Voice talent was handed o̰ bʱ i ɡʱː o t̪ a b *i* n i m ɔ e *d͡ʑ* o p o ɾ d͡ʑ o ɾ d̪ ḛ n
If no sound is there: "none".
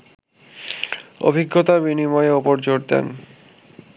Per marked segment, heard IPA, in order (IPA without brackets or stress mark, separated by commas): i, none